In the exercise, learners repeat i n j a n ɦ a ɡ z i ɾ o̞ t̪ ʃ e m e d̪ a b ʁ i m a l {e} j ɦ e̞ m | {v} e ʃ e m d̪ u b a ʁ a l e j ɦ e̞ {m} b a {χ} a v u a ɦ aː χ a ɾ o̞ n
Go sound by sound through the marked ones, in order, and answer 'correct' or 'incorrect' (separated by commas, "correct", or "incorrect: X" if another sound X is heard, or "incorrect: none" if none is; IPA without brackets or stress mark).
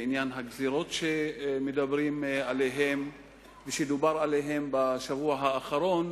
correct, correct, correct, incorrect: ʃ